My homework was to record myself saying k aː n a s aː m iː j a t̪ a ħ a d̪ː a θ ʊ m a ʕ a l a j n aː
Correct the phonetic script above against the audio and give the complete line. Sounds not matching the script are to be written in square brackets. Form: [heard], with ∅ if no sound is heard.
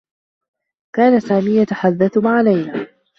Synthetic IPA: k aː n a s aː m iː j a t̪ a ħ a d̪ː a θ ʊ m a ʕ a l a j n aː

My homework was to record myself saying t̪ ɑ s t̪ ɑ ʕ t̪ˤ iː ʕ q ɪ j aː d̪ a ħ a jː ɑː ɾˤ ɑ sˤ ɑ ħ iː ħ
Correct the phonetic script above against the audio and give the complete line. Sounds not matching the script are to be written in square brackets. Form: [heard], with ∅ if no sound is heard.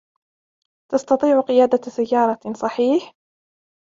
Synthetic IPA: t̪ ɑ s t̪ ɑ [∅] t̪ˤ iː ʕ q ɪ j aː d̪ a [s] a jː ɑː ɾˤ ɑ sˤ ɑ ħ iː ħ

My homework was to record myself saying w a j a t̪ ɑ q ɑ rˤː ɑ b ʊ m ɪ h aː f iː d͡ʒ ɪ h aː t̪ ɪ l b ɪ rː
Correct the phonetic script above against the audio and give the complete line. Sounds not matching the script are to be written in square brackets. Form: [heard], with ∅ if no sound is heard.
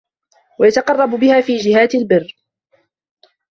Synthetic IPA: w a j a t̪ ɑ q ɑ rˤː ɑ b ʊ [b] ɪ h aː f iː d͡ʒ ɪ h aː t̪ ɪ l b ɪ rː

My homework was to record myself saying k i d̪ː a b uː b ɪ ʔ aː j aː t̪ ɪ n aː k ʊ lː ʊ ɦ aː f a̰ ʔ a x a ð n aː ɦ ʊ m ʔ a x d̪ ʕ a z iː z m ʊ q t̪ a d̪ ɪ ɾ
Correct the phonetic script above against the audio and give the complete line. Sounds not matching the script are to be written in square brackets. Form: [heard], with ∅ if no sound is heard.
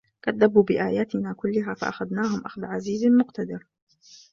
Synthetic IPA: k [a] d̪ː a b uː b ɪ ʔ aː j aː t̪ ɪ n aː k ʊ lː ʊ ɦ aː f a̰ ʔ a x a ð n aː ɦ ʊ m ʔ a x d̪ ʕ a z iː z m ʊ q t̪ a d̪ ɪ ɾ

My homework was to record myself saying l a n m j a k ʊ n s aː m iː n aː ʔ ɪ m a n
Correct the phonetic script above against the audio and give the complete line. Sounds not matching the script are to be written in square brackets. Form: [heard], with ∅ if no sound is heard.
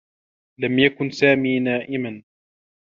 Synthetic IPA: l a [∅] m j a k ʊ n s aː m iː n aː ʔ ɪ m a n

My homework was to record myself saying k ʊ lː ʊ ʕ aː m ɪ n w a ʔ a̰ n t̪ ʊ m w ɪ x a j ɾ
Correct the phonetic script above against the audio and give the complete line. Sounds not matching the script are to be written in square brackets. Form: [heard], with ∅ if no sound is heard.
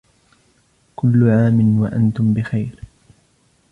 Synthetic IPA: k ʊ lː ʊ ʕ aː m ɪ n w a ʔ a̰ n t̪ ʊ m [b] ɪ x a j ɾ

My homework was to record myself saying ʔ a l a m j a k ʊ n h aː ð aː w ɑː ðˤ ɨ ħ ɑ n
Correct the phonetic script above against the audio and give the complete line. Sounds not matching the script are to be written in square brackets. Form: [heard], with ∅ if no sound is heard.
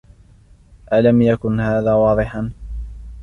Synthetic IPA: ʔ a l a m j a k ʊ n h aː ð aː w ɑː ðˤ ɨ ħ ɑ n

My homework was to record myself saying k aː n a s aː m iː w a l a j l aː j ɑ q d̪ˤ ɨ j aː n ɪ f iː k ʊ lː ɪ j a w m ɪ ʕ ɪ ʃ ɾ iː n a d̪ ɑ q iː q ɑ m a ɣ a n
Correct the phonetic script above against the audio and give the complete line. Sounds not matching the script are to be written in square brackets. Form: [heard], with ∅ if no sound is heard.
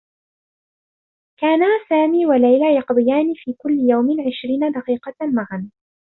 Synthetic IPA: k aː n a s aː m iː w a l a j l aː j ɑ q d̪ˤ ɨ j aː n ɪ f iː k ʊ lː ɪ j a w m ɪ ʕ ɪ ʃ ɾ iː n a d̪ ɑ q iː q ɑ m a ɣ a n

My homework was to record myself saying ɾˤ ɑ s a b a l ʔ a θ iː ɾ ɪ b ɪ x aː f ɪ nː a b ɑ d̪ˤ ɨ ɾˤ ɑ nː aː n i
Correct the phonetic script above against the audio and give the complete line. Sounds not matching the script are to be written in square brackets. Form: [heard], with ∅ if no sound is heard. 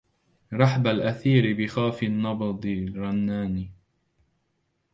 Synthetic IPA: ɾˤ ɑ [ħ] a b a l ʔ a θ iː ɾ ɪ b ɪ x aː f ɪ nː [ɑ] b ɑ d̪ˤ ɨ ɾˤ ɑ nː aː n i

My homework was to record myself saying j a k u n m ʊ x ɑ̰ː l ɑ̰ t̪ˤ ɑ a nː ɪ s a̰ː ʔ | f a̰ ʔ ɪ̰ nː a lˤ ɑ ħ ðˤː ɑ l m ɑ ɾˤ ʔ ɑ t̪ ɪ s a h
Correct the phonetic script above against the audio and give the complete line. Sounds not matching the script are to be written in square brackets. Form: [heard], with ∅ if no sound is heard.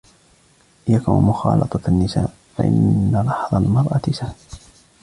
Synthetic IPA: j a k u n m ʊ x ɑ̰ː l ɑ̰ t̪ˤ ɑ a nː ɪ s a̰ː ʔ | f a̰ ʔ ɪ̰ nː a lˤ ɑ ħ [ðˤ] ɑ l m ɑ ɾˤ ʔ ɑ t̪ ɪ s a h

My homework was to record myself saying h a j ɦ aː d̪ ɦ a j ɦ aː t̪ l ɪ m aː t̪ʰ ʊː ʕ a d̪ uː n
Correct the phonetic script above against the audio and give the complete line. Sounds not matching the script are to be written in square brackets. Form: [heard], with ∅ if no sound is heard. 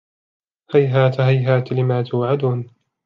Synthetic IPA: h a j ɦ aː [t̪] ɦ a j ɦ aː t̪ l ɪ m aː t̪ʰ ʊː ʕ a d̪ uː n

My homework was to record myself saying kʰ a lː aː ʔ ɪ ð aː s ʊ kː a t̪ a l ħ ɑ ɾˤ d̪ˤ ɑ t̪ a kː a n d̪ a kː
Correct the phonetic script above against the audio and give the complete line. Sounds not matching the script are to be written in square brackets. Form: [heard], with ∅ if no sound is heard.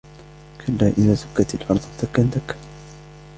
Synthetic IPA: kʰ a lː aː ʔ ɪ ð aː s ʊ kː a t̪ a l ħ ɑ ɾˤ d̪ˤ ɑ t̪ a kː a n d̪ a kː

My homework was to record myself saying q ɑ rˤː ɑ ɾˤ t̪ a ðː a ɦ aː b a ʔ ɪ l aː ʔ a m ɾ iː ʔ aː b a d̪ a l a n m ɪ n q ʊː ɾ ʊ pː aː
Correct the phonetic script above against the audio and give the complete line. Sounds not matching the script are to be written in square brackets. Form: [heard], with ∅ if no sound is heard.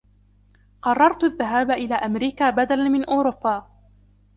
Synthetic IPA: q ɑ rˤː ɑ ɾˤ t̪ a ðː a ɦ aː b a ʔ ɪ l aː ʔ a m ɾ iː [k] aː b a d̪ a l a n m ɪ n [ʔ] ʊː ɾ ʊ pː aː

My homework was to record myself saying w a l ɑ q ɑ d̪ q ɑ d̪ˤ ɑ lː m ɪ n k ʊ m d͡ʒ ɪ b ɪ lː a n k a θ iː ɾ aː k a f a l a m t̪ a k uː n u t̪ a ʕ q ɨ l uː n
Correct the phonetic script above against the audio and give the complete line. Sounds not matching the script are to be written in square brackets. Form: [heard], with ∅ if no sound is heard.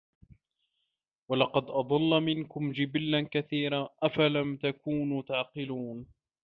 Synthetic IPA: w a l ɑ q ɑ d̪ [ʔ] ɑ d̪ˤ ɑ lː m ɪ n k ʊ m d͡ʒ ɪ b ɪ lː a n k a θ iː ɾ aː [ʔ] a f a l a m t̪ a k uː n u t̪ a ʕ q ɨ l uː n

